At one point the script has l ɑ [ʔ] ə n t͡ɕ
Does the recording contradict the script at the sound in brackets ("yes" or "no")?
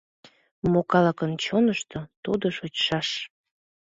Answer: yes